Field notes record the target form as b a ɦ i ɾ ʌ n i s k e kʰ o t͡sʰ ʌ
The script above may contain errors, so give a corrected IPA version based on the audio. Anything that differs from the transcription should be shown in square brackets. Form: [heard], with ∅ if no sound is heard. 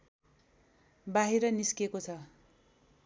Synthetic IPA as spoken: b a ɦ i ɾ ʌ n i s k e [k] o t͡sʰ ʌ